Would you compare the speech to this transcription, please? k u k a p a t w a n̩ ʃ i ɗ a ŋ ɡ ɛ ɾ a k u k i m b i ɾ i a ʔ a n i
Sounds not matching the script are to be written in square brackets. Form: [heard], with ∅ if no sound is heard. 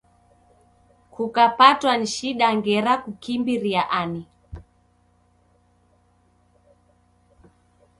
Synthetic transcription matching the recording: k u k a p a t w a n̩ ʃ i ɗ a ŋ ɡ ɛ ɾ a k u k i m b i ɾ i a ʔ a n i